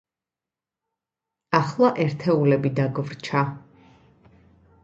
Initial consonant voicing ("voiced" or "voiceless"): voiceless